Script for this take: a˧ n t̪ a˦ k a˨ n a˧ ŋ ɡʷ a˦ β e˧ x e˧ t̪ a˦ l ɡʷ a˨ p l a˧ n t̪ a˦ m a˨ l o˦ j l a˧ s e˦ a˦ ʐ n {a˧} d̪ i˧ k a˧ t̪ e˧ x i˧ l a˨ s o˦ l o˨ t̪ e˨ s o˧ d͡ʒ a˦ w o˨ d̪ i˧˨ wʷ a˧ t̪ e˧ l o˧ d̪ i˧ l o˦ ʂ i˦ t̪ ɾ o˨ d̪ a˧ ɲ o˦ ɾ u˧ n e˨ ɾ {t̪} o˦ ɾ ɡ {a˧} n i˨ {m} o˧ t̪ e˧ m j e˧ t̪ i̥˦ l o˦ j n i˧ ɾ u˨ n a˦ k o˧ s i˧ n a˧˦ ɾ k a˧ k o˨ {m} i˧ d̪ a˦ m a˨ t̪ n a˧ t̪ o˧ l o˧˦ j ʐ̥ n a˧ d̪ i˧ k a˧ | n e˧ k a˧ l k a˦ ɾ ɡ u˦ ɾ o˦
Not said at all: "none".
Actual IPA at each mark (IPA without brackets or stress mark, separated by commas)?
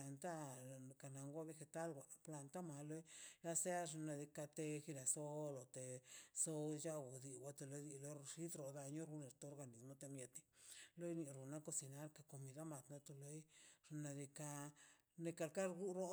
a˧, t̪, a˧, m, m